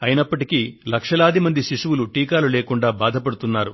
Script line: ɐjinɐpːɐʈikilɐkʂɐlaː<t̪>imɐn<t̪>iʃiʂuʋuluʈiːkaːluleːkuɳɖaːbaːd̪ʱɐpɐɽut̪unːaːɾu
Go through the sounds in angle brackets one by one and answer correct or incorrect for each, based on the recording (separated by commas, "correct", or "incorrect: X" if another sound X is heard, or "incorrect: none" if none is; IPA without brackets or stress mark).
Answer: incorrect: d̪, incorrect: d̪